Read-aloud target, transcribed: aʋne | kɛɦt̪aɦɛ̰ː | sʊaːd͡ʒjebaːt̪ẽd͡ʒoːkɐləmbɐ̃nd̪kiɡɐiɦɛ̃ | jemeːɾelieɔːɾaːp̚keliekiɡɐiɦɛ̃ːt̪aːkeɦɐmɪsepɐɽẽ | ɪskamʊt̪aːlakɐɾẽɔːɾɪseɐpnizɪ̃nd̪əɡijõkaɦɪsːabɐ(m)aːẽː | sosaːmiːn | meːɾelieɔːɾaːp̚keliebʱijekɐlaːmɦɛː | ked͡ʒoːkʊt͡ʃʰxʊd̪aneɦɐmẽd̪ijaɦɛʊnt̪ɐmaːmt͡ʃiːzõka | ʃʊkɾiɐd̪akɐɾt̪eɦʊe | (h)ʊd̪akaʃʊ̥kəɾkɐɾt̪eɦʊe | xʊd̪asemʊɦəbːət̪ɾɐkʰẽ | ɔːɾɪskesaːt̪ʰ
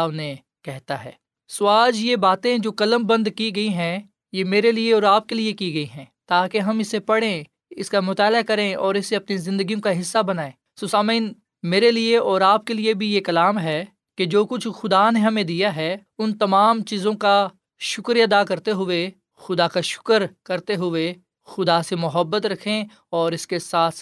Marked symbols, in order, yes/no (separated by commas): no, no